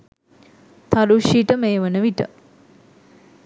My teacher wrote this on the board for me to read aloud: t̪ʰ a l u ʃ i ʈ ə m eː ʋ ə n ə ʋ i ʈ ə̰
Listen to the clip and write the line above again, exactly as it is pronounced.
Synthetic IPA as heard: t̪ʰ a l u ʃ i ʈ ə m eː ʋ ə n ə ʋ i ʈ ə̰